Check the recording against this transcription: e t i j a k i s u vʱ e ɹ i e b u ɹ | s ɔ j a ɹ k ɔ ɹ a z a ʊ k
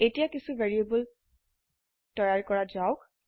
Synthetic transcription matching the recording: e t i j a k i s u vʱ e ɹ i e b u l | t ɔ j a ɹ k ɔ ɹ a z a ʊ k